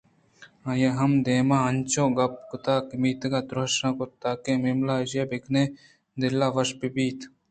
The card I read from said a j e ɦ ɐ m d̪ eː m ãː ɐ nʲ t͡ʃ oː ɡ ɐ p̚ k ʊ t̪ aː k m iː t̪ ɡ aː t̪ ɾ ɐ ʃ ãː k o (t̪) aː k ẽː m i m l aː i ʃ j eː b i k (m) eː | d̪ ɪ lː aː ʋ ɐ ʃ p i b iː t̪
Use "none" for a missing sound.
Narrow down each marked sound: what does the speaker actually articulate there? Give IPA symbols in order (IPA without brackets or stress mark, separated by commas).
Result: t̪, n